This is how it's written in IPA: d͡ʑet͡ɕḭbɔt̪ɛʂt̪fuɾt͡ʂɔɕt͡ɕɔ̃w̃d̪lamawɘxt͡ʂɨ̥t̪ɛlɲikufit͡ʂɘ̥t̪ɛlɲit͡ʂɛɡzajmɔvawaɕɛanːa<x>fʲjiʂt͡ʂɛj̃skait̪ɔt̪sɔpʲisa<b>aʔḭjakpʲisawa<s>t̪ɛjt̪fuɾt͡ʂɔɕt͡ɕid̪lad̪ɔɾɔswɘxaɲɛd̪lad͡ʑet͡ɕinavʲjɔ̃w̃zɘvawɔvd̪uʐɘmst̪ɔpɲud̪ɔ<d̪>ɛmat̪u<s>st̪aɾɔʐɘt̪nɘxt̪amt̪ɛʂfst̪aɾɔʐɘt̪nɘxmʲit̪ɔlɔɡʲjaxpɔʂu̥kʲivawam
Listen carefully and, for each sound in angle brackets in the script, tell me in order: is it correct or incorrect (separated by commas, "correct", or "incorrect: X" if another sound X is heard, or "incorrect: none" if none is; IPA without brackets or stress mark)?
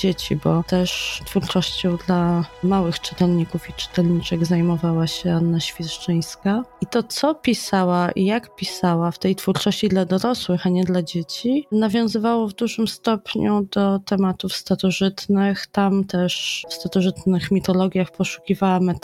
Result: incorrect: ɕ, incorrect: w, incorrect: f, incorrect: t̪, incorrect: f